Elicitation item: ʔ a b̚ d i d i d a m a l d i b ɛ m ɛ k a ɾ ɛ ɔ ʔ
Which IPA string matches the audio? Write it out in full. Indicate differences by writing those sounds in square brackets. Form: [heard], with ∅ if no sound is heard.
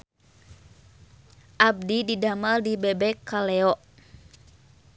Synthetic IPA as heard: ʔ a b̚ d i d i d a m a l d i b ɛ [b] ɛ k a [l] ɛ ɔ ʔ